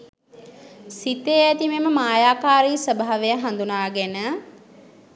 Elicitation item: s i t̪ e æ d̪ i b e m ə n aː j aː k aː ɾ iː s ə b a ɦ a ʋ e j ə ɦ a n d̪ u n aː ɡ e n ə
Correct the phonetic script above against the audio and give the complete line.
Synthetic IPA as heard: s i t̪ e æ t̪ i m e m ə m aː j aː k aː ɾ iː s ə b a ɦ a ʋ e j ə ɦ a n d̪ u n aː ɡ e n ə

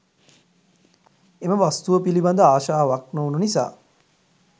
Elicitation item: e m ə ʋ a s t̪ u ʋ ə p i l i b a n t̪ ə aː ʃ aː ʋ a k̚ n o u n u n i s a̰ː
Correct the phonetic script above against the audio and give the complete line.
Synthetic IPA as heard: e m ə ʋ a s t̪ u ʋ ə p i l i b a n d̪ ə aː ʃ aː ʋ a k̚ n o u n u n i s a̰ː

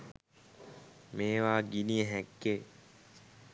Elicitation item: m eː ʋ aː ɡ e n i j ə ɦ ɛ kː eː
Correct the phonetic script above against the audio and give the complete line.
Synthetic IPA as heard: m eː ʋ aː ɡ i n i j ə ɦ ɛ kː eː

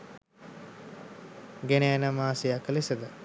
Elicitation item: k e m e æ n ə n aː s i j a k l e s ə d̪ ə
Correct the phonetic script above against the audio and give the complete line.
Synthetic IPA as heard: ɡ e n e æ n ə m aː s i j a k l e s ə d̪ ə

